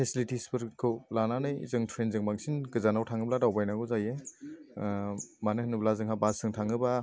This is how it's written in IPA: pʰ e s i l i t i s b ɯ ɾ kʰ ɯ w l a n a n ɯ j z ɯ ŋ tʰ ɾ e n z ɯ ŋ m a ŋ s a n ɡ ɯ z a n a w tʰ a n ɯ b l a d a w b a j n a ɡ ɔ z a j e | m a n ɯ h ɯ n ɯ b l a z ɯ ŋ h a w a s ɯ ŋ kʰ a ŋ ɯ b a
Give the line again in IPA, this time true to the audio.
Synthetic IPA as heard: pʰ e s i l i t i s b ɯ ɾ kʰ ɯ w l a n a n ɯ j z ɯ ŋ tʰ ɾ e n z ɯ ŋ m a ŋ s i n ɡ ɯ z a n a w tʰ a ŋ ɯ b l a d a w b a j n a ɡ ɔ z a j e | m a n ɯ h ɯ n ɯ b l a z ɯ ŋ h a b a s ɯ ŋ tʰ a ŋ ɯ b a